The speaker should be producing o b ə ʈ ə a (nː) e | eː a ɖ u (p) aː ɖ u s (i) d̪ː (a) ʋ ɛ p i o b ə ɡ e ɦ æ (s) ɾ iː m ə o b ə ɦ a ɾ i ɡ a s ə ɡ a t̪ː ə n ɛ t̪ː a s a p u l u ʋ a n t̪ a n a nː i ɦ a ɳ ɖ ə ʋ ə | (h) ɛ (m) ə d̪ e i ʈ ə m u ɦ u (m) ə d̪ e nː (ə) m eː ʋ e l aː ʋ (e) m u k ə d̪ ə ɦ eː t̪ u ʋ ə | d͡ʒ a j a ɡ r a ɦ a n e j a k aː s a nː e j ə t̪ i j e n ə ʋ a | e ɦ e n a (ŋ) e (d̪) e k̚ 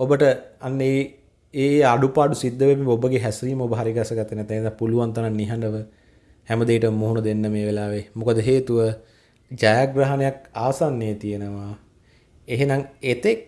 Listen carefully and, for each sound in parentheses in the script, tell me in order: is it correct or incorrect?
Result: correct, correct, correct, incorrect, correct, correct, correct, incorrect, correct, correct, correct, incorrect

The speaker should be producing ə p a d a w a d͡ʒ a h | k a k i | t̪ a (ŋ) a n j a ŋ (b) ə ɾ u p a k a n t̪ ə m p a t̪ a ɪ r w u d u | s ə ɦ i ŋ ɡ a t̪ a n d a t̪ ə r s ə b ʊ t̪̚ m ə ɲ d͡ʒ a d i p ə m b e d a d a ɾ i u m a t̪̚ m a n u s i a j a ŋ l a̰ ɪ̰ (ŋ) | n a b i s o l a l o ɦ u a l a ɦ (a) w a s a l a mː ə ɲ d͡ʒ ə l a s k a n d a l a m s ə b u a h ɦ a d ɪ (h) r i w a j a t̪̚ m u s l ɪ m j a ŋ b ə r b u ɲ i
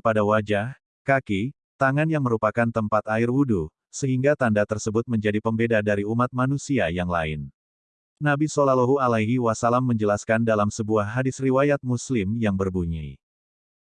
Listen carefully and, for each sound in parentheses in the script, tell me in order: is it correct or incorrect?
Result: correct, incorrect, incorrect, incorrect, incorrect

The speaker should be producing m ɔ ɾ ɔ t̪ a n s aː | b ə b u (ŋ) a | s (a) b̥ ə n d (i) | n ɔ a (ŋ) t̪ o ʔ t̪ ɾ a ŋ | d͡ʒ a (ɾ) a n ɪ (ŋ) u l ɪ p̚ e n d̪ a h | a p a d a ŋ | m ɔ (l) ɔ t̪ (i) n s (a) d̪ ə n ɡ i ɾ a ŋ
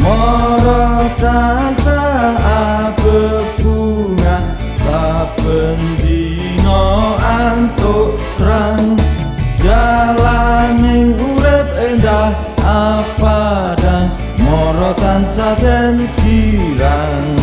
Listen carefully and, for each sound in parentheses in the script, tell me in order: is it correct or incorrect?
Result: correct, correct, correct, incorrect, incorrect, correct, incorrect, incorrect, correct

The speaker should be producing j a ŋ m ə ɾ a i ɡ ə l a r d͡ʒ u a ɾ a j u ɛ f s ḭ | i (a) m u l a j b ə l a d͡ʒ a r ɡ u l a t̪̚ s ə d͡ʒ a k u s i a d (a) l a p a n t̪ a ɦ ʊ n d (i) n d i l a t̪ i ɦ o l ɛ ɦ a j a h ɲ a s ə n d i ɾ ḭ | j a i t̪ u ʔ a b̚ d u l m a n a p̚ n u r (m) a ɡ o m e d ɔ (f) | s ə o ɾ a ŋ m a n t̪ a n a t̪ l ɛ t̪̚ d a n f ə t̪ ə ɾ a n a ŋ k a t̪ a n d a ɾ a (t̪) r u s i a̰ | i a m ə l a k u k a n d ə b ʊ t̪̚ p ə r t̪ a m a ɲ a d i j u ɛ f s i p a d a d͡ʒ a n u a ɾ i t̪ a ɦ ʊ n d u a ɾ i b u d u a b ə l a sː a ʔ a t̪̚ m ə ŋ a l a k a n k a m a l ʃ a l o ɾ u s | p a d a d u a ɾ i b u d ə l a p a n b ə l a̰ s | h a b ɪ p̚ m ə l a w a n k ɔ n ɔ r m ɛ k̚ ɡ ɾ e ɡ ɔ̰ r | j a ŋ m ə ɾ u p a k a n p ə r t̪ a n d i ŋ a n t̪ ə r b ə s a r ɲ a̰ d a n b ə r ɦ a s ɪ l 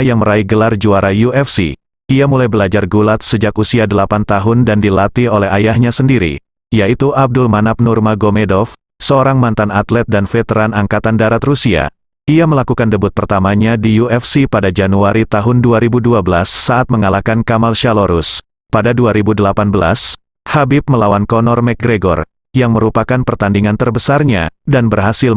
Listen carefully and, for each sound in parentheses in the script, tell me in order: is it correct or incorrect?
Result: correct, incorrect, incorrect, correct, correct, correct

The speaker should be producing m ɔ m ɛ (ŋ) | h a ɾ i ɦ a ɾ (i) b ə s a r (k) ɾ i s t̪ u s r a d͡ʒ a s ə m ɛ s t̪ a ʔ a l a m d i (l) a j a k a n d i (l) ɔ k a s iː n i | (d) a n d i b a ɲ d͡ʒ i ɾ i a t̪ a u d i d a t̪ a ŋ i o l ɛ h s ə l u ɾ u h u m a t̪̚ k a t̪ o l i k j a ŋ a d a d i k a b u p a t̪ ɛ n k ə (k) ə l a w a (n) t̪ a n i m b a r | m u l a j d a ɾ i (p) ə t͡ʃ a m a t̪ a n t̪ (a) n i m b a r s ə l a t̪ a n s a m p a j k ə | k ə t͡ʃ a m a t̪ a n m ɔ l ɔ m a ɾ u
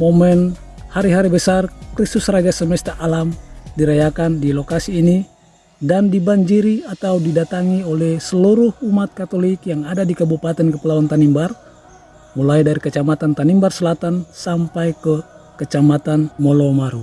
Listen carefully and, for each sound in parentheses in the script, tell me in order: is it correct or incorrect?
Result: incorrect, correct, correct, incorrect, correct, correct, incorrect, correct, incorrect, correct

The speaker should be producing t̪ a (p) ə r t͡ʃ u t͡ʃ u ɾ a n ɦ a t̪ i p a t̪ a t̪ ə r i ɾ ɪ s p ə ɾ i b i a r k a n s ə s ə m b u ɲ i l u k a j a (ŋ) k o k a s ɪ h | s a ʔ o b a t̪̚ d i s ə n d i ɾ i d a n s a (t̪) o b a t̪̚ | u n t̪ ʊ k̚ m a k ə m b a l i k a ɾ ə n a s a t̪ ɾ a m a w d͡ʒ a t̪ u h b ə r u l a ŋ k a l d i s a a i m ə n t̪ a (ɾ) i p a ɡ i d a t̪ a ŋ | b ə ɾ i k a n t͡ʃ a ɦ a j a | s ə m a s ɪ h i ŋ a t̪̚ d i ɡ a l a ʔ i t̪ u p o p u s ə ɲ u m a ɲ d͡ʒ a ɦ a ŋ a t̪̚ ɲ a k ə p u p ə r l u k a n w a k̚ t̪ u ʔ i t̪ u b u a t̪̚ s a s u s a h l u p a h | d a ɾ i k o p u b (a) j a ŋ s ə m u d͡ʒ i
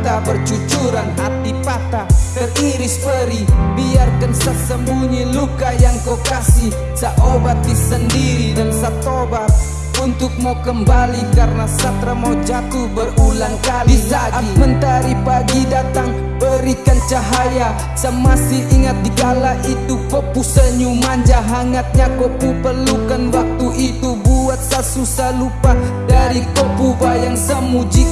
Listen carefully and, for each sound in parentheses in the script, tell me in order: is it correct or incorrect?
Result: incorrect, correct, correct, correct, correct

